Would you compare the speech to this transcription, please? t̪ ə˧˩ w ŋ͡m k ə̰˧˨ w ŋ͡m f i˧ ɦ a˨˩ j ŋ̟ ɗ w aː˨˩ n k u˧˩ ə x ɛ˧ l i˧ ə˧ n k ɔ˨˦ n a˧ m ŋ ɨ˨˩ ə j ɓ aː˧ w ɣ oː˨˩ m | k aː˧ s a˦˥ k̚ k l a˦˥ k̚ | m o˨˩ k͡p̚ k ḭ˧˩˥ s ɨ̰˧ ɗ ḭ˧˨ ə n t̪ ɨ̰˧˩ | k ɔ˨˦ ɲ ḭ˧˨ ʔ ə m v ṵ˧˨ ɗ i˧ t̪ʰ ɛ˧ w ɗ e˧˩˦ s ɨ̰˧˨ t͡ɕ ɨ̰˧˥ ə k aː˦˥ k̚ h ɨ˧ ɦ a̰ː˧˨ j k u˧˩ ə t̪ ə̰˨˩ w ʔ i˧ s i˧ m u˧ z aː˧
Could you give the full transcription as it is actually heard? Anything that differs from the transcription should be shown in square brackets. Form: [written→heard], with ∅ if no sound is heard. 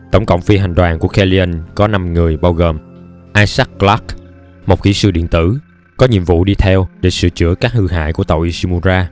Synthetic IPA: t̪ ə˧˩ w ŋ͡m k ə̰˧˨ w ŋ͡m f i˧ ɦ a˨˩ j ŋ̟ ɗ w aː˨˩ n k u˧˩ ə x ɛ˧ l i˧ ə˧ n k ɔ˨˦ n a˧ m ŋ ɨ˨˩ ə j ɓ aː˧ w ɣ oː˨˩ m | [k→ʔ] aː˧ s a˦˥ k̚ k l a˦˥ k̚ | m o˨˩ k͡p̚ k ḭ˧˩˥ s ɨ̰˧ ɗ ḭ˧˨ ə n t̪ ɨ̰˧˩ | k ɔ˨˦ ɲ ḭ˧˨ [ʔ→∅] ə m v ṵ˧˨ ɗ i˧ t̪ʰ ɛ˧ w ɗ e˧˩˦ s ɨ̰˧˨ t͡ɕ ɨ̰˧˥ ə k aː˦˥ k̚ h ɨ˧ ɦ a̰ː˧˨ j k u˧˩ ə t̪ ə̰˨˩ w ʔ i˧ s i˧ m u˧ z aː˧